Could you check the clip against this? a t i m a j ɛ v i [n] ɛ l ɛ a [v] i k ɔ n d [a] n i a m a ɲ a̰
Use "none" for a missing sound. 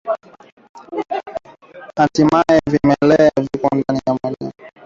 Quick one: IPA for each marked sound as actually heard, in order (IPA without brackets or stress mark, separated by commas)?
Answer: m, v, a